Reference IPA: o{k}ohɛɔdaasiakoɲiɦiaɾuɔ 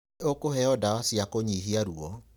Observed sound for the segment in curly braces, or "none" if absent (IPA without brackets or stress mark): k